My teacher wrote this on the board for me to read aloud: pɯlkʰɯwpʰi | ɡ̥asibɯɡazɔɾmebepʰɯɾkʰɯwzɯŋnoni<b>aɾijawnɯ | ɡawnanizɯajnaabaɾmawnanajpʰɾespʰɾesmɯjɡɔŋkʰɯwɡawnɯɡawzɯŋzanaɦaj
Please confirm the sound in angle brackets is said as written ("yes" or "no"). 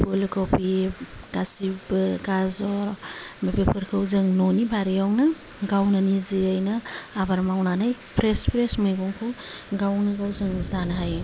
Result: yes